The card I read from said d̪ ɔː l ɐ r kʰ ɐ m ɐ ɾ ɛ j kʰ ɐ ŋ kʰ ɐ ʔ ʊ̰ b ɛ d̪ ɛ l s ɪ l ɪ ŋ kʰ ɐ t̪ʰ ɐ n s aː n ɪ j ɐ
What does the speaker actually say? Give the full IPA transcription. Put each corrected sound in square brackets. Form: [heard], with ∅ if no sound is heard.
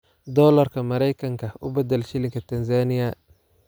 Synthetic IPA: d̪ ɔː l ɐ r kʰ ɐ m ɐ ɾ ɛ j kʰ ɐ ŋ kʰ ɐ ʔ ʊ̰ b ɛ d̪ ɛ l [ʃ] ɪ l ɪ ŋ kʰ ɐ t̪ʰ ɐ n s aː n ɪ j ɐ